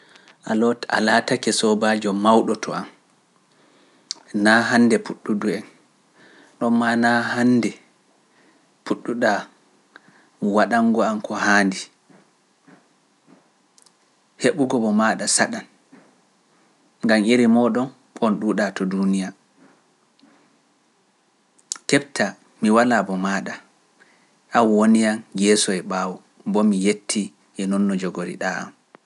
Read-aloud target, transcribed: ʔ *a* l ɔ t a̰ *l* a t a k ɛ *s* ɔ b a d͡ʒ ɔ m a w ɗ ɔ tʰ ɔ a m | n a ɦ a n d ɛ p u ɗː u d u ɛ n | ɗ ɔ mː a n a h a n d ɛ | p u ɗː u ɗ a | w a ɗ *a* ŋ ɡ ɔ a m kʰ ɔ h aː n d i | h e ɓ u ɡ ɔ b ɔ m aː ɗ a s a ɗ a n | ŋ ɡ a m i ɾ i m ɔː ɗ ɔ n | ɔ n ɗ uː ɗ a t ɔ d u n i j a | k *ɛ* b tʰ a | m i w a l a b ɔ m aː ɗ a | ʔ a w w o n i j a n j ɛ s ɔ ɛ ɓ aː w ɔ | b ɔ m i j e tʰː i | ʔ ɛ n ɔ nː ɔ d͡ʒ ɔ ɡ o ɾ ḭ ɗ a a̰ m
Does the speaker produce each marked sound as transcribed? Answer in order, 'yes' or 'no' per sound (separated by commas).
yes, yes, yes, yes, yes